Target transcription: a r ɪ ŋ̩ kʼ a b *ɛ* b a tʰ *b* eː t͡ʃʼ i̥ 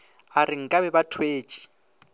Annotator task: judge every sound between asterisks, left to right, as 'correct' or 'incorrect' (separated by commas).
correct, incorrect